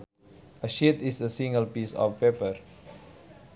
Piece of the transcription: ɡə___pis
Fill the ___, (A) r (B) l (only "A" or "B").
B